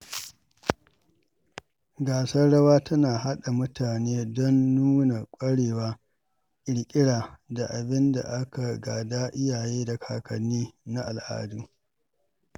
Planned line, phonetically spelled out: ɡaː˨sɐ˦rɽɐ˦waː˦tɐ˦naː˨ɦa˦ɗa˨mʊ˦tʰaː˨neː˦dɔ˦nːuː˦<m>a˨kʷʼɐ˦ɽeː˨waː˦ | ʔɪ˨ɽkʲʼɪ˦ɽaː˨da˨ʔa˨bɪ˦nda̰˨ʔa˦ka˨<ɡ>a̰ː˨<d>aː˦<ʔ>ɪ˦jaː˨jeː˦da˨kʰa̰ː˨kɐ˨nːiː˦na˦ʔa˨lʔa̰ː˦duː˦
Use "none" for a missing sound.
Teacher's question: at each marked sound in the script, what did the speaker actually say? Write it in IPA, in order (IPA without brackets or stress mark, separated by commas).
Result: n, ɡ, d, ʔ